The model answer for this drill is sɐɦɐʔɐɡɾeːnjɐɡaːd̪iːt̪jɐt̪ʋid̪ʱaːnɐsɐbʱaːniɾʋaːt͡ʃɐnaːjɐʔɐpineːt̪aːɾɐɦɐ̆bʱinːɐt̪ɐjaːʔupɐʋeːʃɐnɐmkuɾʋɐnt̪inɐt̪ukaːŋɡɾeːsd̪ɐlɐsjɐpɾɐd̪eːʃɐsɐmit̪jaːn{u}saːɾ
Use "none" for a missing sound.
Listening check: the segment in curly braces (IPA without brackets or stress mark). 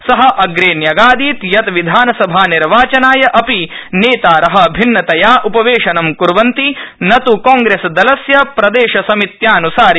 u